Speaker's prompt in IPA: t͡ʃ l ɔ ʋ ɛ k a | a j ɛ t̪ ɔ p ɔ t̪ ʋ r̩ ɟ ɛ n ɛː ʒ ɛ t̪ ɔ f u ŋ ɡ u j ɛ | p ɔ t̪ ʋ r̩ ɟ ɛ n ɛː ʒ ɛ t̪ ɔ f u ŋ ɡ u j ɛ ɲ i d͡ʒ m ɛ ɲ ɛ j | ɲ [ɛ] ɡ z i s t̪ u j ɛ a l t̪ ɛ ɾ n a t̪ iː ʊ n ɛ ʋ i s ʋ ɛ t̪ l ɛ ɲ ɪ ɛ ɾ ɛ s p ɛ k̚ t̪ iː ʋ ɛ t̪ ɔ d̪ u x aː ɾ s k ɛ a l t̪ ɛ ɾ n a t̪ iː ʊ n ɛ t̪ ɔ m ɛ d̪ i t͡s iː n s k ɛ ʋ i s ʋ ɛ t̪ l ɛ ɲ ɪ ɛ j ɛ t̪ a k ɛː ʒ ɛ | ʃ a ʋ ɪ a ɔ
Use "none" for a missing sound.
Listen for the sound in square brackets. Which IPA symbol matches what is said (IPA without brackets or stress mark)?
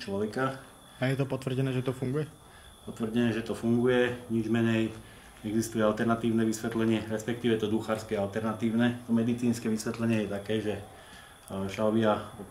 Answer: ɛ